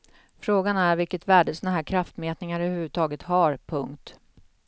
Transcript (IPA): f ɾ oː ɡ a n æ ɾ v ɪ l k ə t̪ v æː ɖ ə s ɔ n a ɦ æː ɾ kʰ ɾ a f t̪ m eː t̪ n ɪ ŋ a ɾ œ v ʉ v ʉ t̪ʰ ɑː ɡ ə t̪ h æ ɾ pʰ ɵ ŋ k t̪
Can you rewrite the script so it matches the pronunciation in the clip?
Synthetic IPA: f ɾ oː ɡ a n æ ɾ v ɪ l k ə t̪ v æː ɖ ə s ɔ n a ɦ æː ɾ kʰ ɾ a f t̪ m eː t̪ n ɪ ŋ a ɾ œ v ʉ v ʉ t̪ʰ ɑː ɡ ə t̪ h a ɾ pʰ ɵ ŋ k t̪